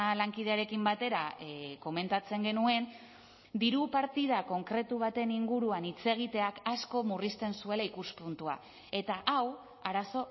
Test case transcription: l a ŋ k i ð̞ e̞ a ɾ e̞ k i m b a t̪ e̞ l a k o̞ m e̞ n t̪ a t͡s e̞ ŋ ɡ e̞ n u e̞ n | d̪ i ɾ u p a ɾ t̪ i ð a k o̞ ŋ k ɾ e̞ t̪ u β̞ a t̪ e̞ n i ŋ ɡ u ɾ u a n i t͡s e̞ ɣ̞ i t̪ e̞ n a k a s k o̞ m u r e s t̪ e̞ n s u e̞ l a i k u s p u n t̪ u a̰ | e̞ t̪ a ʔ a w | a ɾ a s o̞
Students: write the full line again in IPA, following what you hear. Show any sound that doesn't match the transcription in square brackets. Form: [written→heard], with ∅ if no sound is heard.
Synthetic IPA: l a ŋ k i ð̞ e̞ a ɾ e̞ k i m b a t̪ e̞ [l→ɾ] a k o̞ m e̞ n t̪ a t͡s e̞ ŋ ɡ e̞ n u e̞ n | d̪ i ɾ u p a ɾ t̪ i ð a k o̞ ŋ k ɾ e̞ t̪ u β̞ a t̪ e̞ n i ŋ ɡ u ɾ u a n i t͡s e̞ ɣ̞ i t̪ e̞ [n→∅] a k a s k o̞ m u r [e→i] s t̪ e̞ n s u e̞ l a i k u s p u n t̪ u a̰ | e̞ t̪ a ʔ a w | a ɾ a s o̞

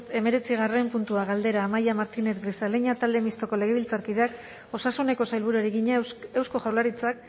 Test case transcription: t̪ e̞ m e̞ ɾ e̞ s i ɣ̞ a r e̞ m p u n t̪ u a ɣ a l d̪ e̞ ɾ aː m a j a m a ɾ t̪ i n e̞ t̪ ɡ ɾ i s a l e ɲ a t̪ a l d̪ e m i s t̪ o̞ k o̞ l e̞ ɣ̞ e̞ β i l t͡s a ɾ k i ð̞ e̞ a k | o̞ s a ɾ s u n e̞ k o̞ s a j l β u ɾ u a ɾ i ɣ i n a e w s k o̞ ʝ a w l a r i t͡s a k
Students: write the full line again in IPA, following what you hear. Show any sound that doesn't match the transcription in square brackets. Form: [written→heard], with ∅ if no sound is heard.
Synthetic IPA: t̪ e̞ m e̞ ɾ e̞ [s→t͡s] i ɣ̞ a r e̞ m p u n t̪ u a ɣ a l d̪ e̞ ɾ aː m a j a m a ɾ t̪ i n e̞ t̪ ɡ ɾ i s a l e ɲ a t̪ a l d̪ e m i s t̪ o̞ k o̞ l e̞ ɣ̞ e̞ β i l t͡s a ɾ k i ð̞ e̞ a k | o̞ s a [ɾ→∅] s u n e̞ k o̞ s a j l β u ɾ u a ɾ i ɣ i [n→ɲ] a e w s k o̞ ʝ a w l a [r→ɾ] i t͡s a k

